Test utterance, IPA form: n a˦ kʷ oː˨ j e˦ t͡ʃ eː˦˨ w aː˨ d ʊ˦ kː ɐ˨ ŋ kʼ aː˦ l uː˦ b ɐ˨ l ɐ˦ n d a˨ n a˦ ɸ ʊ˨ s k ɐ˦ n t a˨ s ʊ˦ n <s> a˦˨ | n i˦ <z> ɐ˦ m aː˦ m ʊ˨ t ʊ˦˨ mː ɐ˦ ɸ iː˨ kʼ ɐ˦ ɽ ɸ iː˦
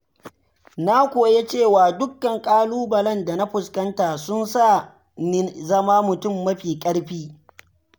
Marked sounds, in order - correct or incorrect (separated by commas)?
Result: correct, correct